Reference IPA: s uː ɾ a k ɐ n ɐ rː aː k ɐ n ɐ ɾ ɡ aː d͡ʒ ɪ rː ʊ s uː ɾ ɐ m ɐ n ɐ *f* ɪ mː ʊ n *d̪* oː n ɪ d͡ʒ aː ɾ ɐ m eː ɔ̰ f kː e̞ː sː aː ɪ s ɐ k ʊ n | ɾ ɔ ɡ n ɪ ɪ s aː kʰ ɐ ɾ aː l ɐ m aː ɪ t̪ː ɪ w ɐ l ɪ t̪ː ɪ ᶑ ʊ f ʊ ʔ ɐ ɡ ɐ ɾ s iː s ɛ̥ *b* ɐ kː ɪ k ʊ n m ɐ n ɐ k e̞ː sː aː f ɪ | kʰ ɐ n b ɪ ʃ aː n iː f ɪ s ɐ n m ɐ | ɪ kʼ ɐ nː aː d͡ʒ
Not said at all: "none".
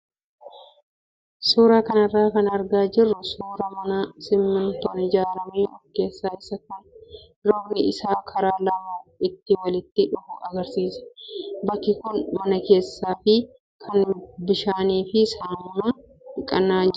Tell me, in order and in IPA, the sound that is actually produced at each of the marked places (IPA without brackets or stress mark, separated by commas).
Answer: s, t̪, b